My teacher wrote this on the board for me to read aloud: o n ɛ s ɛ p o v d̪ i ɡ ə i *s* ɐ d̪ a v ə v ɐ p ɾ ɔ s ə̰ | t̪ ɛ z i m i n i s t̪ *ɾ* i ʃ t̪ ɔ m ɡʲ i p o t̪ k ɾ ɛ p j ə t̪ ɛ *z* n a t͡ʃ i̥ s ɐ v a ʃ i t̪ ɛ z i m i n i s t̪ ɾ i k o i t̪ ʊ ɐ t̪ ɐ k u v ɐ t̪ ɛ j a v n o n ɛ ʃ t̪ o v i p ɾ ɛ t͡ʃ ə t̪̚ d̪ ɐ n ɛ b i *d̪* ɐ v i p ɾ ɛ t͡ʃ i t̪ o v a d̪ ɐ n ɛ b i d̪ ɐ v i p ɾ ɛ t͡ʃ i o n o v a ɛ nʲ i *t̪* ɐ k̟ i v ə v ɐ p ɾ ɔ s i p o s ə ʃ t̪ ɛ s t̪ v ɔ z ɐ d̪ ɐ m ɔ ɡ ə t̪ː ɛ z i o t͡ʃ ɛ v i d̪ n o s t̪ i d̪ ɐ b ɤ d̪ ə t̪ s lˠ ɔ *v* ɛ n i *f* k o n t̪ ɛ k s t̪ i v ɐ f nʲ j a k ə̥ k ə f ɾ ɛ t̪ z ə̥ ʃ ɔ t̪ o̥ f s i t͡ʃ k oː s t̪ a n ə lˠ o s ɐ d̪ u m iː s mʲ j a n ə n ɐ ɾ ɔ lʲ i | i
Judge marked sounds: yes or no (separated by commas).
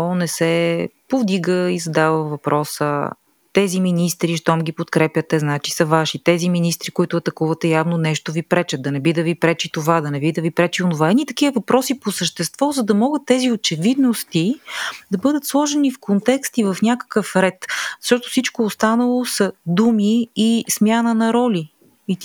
no, yes, yes, yes, yes, no, yes